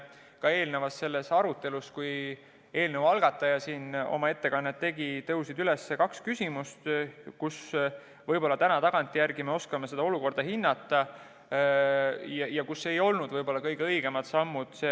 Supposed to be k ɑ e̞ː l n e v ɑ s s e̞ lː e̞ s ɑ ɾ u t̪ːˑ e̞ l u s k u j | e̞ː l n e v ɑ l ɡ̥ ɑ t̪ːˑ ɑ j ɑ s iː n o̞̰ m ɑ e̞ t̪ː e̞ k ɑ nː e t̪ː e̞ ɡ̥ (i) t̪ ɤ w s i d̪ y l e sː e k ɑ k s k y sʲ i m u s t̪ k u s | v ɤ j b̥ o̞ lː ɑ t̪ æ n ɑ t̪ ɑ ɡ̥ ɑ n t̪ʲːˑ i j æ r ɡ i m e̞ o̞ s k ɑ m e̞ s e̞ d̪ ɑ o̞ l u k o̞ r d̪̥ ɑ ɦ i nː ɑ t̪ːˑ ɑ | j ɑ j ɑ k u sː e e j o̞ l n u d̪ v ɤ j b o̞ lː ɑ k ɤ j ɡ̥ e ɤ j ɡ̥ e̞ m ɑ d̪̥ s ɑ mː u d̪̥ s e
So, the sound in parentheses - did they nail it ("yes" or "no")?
yes